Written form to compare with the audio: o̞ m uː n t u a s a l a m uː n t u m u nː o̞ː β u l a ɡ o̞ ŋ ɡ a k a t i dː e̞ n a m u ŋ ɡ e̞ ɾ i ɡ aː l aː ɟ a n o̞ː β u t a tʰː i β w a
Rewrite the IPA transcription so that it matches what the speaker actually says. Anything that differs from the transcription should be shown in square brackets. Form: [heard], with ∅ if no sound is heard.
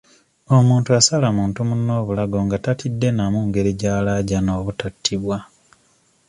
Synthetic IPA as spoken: o̞ m uː n t u a s a l a m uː n t u m u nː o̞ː β u l a ɡ o̞ ŋ ɡ a [t] a t i dː e̞ n a m u ŋ ɡ e̞ ɾ i [ɟ] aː l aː ɟ a n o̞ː β u t a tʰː i β w a